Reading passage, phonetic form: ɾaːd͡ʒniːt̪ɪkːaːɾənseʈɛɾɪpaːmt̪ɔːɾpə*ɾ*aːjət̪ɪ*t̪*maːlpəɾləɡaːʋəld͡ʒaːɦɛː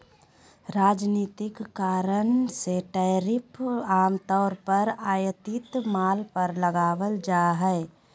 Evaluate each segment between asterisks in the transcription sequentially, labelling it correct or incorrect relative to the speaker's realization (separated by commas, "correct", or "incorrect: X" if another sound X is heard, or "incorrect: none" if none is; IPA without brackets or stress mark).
correct, correct